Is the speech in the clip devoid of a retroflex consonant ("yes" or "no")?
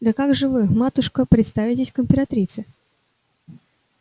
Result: no